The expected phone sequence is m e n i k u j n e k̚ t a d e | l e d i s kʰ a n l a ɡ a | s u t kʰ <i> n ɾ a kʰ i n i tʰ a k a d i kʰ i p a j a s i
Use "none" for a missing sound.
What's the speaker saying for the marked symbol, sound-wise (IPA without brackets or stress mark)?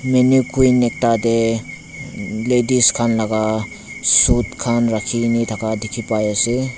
a